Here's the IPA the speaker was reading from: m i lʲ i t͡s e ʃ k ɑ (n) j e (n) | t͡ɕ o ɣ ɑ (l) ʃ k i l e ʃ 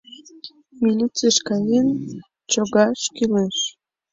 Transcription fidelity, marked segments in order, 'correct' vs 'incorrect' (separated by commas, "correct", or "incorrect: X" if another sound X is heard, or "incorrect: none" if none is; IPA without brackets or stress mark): incorrect: none, correct, incorrect: none